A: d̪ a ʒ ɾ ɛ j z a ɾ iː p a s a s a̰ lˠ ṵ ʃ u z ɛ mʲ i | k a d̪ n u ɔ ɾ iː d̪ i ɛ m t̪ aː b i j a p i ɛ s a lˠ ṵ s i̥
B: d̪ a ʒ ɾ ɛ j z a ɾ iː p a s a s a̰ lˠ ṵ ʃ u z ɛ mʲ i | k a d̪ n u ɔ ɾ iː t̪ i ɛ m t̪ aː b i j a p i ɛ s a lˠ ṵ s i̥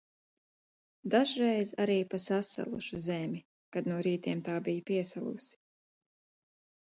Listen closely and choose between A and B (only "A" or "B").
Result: B